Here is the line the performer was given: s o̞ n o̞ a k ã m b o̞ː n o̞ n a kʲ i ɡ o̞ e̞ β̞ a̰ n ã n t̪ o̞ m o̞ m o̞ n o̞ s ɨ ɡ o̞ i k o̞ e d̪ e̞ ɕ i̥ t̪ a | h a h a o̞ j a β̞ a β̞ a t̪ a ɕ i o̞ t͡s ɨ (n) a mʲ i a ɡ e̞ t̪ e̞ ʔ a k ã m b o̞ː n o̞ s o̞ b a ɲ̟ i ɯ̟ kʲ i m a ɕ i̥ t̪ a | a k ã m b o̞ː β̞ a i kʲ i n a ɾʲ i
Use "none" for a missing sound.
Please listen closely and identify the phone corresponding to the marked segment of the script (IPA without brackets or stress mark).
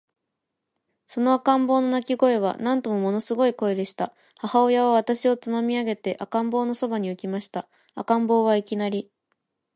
m